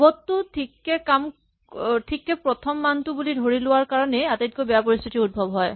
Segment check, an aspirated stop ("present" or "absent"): present